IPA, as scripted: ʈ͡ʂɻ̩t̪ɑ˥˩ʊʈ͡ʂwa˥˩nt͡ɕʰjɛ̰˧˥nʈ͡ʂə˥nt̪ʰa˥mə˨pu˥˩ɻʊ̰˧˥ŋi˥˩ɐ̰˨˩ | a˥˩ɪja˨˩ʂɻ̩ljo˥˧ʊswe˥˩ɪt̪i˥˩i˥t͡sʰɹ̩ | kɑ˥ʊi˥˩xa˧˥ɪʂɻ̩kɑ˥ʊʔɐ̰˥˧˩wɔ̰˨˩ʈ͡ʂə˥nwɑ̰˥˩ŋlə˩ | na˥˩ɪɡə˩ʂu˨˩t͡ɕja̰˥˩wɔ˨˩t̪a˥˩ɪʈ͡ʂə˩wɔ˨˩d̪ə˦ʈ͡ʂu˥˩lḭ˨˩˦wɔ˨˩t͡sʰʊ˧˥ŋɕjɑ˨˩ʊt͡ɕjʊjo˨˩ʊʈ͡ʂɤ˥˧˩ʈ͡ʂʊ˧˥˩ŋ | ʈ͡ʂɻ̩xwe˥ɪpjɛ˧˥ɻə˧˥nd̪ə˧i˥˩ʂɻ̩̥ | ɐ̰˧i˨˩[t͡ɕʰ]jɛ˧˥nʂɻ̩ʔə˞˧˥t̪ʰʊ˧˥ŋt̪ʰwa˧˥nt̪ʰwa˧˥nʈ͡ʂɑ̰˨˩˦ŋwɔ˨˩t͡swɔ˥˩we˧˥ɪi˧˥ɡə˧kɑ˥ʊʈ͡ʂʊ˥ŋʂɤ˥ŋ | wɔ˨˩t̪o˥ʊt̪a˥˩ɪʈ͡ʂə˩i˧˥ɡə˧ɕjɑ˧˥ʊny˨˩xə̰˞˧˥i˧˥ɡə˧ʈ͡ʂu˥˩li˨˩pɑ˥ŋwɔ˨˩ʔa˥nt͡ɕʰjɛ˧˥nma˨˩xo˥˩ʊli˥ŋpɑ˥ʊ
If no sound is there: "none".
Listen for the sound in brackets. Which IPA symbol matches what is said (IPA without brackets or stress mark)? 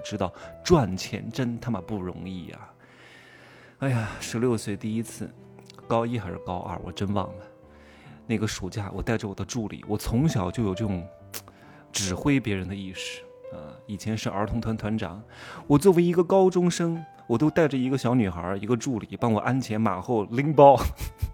t͡ɕʰ